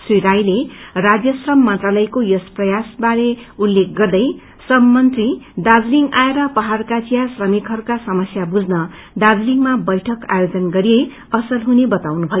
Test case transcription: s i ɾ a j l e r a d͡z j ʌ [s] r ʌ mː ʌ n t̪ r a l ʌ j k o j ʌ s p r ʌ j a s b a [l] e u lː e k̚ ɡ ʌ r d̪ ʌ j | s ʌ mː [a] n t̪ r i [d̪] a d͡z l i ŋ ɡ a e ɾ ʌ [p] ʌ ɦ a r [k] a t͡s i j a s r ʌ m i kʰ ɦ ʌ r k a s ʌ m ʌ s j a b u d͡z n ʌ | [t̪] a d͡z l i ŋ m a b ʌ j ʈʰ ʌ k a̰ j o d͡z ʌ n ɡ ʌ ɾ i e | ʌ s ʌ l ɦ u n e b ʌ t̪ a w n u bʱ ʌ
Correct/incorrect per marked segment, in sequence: correct, incorrect: ɾ, incorrect: ʌ, correct, correct, correct, incorrect: d̪

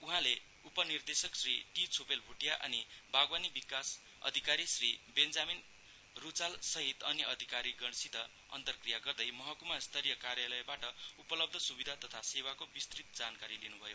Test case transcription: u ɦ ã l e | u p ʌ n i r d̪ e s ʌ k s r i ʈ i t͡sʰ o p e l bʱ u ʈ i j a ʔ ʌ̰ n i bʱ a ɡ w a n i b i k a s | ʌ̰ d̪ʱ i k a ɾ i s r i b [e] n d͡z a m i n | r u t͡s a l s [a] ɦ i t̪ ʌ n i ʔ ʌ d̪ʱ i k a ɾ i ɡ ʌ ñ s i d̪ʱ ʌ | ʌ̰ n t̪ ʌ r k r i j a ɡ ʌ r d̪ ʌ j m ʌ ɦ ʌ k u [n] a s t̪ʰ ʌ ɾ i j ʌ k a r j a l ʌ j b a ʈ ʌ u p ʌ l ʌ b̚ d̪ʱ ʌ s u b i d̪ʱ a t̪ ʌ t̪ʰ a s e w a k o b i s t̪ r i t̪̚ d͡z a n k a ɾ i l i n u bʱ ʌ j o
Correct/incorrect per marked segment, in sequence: correct, incorrect: ʌ, incorrect: m

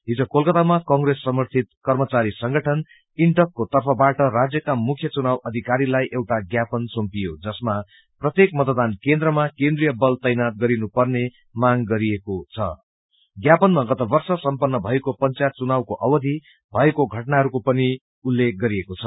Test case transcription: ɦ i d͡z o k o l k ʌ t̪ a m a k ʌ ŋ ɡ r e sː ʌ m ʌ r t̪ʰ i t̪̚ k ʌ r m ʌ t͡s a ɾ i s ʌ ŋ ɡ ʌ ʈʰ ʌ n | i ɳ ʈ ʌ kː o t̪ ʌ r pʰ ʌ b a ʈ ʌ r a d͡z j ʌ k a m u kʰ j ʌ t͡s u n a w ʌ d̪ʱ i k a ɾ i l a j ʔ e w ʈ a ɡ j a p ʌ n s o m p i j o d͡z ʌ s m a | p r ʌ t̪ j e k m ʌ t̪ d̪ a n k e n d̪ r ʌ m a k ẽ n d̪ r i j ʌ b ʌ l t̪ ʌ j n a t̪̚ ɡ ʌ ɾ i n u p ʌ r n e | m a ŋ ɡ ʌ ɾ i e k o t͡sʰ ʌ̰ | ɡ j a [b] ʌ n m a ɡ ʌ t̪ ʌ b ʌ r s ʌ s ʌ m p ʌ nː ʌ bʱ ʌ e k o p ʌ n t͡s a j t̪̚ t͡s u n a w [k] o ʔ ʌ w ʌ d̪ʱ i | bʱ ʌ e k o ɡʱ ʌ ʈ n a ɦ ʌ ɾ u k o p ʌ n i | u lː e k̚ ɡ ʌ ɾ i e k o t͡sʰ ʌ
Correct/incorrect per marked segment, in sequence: incorrect: p, correct

